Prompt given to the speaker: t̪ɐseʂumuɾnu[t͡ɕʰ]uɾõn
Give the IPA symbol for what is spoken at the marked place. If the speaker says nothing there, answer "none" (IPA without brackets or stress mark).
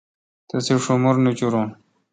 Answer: t͡ɕ